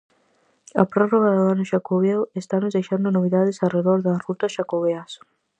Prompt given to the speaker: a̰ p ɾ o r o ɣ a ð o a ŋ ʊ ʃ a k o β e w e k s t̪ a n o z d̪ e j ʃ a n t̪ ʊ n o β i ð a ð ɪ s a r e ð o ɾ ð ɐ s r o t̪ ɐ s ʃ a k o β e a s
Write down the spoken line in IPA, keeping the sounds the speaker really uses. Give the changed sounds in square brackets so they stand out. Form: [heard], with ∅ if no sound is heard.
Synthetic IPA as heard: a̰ p ɾ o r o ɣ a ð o a [n] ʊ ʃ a k o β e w e [∅] s t̪ a n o z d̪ e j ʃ a n [d̪] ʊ n o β i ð a ð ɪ s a r e ð o ɾ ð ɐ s r [u] t̪ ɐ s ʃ a k o β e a s